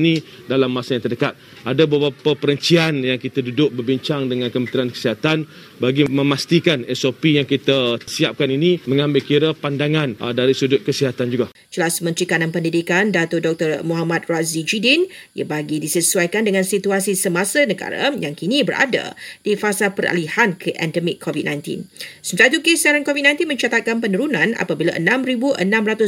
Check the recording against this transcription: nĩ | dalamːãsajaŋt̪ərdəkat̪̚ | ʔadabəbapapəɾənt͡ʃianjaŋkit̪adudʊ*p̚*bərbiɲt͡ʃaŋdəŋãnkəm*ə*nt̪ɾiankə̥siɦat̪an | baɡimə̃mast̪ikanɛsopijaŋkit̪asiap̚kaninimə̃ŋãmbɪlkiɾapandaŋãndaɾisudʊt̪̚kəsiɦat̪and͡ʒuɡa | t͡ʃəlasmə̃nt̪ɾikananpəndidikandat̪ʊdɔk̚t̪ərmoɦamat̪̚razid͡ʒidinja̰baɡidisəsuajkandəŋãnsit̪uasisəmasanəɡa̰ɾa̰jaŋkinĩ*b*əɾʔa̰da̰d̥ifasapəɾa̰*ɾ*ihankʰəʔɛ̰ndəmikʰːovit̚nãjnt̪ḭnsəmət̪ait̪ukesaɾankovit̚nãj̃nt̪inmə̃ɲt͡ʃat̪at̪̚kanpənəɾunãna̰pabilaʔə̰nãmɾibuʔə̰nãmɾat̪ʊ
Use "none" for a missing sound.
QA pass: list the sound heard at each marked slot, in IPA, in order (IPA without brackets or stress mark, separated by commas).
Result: k̚, ə, b, l